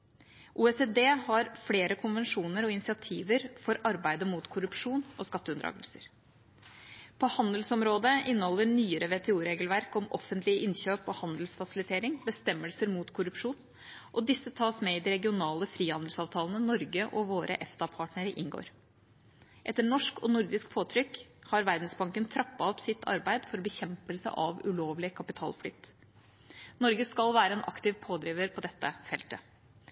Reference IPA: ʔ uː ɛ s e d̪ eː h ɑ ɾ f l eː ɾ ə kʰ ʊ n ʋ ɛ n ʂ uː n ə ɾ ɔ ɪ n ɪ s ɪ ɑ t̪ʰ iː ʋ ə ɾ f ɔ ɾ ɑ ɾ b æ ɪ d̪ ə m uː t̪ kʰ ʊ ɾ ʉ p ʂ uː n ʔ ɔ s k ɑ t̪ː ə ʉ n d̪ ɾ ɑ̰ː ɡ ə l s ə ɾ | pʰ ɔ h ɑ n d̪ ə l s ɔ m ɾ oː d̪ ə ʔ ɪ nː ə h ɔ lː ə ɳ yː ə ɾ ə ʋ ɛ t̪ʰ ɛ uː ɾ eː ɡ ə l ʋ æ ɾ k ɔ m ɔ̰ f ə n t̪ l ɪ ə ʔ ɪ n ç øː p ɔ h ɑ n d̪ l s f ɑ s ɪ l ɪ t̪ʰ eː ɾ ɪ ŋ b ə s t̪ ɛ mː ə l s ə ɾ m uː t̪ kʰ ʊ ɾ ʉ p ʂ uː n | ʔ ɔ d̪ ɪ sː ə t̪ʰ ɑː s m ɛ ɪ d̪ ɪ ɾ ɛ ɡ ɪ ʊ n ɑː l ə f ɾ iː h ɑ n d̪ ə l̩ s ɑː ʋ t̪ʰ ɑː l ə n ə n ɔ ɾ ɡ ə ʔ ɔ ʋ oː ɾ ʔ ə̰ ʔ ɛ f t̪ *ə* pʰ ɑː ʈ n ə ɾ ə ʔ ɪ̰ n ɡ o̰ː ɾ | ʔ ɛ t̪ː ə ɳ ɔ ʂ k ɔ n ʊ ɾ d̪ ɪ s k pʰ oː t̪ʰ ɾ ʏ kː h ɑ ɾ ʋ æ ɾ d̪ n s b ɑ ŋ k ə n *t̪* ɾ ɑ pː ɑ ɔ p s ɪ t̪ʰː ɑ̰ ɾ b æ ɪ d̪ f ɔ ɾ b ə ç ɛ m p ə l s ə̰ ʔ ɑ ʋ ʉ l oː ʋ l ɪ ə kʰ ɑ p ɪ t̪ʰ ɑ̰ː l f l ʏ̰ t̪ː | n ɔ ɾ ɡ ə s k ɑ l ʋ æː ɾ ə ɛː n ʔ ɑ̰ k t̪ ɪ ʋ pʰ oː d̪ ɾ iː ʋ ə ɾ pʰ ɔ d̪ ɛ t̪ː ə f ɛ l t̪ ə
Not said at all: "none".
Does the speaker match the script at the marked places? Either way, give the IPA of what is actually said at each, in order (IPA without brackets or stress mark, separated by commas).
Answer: ɑ, t̪ʰ